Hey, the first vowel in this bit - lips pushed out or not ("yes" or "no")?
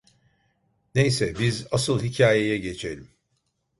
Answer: no